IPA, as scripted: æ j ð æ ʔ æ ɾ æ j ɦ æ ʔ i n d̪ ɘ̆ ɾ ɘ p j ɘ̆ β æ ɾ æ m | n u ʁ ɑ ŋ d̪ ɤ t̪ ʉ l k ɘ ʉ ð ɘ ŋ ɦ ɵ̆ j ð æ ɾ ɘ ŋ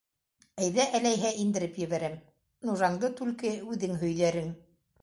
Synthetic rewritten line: æ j ð æ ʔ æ l æ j ɦ æ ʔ i n d̪ ɘ̆ ɾ ɘ p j ɘ̆ β æ ɾ æ m | n u ʒ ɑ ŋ d̪ ɤ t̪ ʉ l k ɘ ʉ ð ɘ ŋ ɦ ɵ̆ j ð æ ɾ ɘ ŋ